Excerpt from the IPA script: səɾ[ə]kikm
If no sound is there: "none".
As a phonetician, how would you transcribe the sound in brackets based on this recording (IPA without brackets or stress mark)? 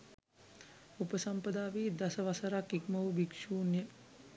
a